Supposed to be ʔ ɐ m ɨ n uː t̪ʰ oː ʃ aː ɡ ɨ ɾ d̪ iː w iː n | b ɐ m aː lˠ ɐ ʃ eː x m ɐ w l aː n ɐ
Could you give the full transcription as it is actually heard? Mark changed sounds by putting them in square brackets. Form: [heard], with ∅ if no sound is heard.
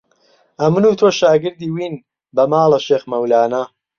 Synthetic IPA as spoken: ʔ ɐ m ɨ n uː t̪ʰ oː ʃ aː ɡ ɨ ɾ d̪ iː w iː n | b ɐ m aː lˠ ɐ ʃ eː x m ɐ w l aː n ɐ